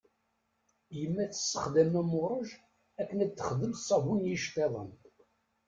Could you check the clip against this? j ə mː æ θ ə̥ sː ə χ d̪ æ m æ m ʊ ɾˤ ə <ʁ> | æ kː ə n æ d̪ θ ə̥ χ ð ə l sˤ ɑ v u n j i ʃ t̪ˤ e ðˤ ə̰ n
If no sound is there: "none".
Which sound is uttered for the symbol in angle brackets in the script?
ʒ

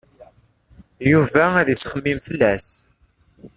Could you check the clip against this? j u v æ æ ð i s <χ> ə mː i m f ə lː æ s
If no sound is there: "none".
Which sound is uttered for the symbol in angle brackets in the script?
χ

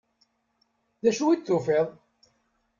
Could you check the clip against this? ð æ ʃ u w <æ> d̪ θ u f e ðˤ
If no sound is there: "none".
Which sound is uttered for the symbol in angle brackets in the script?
i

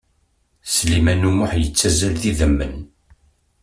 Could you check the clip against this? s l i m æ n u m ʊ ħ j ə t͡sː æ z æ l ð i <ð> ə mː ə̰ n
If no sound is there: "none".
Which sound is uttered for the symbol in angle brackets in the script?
ð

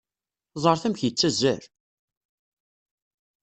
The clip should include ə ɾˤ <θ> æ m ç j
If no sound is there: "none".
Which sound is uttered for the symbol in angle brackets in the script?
θ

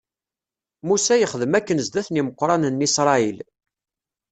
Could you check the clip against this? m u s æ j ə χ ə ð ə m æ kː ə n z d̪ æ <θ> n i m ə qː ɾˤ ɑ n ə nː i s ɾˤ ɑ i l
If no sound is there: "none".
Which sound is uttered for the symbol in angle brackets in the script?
θ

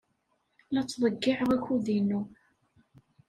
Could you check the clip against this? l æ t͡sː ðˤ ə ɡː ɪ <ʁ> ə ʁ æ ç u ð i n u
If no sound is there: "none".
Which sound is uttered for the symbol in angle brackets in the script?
ʕ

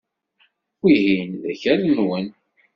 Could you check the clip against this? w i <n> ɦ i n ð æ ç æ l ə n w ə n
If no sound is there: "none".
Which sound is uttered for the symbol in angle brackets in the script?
none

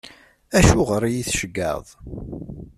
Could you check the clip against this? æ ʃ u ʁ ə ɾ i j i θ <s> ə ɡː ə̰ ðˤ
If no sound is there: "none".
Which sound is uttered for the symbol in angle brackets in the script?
ʃ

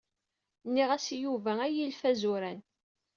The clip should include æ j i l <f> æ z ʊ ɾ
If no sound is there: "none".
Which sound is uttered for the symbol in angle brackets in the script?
f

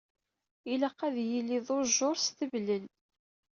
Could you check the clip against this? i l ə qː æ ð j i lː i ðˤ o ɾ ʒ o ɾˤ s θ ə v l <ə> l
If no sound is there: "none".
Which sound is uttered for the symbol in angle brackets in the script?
ə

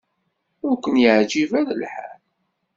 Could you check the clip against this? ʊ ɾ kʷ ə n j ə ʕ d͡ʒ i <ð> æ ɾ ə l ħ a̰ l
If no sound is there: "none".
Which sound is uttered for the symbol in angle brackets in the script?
v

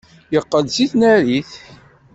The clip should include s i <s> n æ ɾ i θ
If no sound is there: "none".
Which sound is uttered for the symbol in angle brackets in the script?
θ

